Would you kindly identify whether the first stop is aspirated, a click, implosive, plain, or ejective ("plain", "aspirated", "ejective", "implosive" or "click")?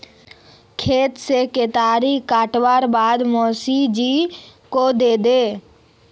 aspirated